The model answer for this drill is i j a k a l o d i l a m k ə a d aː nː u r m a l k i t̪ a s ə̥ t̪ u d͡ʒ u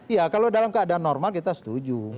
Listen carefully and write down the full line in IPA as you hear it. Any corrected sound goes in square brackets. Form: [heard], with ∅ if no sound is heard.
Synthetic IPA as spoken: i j a k a l o d [a] l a m k ə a d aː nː [ɔ] r m a l k i t̪ a s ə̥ t̪ u d͡ʒ u